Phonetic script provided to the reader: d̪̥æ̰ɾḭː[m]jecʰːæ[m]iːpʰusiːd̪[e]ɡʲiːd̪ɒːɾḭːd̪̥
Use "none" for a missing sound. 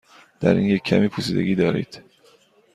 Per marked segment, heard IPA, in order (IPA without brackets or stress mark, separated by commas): n, m, e